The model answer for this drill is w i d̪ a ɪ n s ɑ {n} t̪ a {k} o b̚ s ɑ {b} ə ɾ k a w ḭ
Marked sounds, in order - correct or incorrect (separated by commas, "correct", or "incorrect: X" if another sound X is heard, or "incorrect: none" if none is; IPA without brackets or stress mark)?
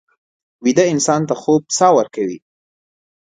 correct, incorrect: x, incorrect: w